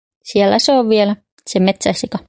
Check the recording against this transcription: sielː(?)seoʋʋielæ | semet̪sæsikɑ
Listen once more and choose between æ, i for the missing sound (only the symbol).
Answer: æ